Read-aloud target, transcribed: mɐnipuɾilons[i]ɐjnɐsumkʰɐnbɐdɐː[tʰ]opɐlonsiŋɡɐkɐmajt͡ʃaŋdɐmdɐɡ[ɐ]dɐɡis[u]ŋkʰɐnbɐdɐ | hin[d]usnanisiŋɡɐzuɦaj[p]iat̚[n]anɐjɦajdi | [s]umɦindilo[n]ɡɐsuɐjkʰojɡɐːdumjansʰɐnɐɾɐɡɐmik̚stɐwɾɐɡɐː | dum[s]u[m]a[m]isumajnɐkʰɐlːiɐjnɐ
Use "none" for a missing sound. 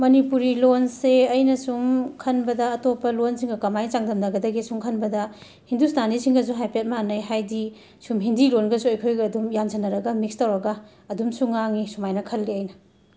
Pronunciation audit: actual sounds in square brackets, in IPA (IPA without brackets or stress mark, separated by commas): e, t, ɐ, u, d, p, m, s, n, s, ŋ, ŋ